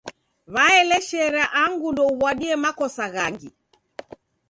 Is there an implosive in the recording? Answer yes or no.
yes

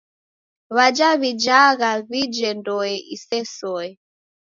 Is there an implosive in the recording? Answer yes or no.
no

